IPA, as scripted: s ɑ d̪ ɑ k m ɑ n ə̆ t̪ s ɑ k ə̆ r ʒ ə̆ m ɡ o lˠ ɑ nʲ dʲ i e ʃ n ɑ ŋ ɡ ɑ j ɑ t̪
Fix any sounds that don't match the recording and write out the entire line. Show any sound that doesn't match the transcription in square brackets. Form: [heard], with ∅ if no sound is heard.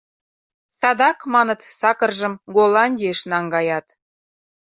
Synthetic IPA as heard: s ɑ d̪ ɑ k m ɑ n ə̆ t̪ s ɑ k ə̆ r ʒ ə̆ m ɡ o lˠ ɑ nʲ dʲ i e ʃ n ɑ ŋ ɡ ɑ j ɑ t̪